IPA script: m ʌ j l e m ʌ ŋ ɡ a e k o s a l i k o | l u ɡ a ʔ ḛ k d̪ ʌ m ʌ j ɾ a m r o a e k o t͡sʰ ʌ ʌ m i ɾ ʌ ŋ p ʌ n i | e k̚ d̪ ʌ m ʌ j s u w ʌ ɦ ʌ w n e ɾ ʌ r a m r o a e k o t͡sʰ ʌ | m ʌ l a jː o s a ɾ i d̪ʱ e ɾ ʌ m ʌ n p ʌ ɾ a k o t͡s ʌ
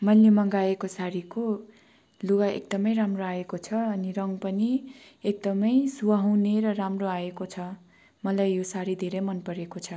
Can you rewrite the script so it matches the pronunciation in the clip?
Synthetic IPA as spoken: m ʌ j l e m ʌ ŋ ɡ a e k o s a ɾ i k o | l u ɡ a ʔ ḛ k d̪ ʌ m ʌ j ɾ a m r o a e k o t͡sʰ ʌ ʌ n i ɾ ʌ ŋ p ʌ n i | e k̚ d̪ ʌ m ʌ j s u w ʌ ɦ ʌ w n e ɾ ʌ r a m r o a e k o t͡sʰ ʌ | m ʌ l a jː o s a ɾ i d̪ʱ e ɾ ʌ m ʌ n p ʌ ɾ e k o t͡sʰ ʌ